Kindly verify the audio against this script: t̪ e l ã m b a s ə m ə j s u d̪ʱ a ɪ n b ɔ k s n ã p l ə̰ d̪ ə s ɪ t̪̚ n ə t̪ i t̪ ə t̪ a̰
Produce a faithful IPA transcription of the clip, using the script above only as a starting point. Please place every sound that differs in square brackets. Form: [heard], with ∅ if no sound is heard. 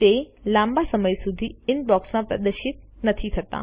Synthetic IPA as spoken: t̪ e l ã m b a s ə m ə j s u d̪ʱ [i] ɪ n b ɔ k s [m] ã p [ɾ] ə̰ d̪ ə [ʃ] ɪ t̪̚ n ə [t̪ʰ] i [t̪ʰ] ə t̪ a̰